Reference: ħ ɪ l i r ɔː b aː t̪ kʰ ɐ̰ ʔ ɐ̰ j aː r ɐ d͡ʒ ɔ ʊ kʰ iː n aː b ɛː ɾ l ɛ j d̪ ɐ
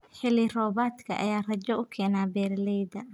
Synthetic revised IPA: ħ ɪ l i r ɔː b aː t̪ kʰ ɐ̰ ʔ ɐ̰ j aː r ɐ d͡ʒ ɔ ʊ kʰ ɛː n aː b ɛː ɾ l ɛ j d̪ ɐ